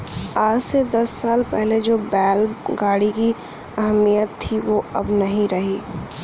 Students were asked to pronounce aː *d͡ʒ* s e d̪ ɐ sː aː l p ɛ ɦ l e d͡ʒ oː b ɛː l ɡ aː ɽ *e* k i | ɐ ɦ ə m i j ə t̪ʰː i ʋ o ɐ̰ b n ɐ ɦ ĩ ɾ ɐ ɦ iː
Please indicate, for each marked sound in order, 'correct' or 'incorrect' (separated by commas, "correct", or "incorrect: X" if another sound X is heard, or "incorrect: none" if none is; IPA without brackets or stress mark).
correct, incorrect: i